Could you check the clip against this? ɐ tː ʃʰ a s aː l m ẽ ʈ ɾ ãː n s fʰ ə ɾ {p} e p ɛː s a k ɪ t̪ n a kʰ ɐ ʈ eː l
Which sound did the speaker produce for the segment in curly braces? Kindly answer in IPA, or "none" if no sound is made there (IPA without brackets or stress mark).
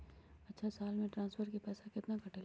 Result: k